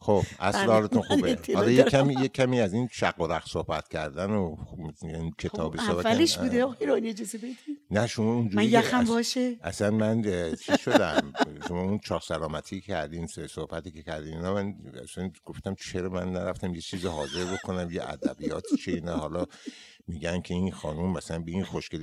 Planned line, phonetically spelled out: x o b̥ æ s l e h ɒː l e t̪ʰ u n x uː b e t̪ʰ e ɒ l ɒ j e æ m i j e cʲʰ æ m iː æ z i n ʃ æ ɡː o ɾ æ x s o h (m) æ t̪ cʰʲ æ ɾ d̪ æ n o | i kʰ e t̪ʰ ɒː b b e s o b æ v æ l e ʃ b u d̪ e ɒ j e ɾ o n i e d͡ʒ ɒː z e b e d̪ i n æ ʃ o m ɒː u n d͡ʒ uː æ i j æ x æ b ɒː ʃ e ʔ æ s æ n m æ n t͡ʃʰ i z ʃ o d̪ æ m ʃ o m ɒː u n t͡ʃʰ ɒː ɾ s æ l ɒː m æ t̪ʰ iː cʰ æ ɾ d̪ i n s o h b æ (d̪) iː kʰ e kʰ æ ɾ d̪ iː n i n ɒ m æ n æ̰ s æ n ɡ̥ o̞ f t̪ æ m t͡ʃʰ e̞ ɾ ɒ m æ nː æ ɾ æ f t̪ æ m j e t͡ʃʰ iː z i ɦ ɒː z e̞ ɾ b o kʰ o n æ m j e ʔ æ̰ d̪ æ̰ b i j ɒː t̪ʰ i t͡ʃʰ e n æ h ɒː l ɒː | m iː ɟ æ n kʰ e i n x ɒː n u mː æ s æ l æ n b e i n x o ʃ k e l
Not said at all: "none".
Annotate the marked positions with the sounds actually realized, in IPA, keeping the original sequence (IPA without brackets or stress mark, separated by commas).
b, t̪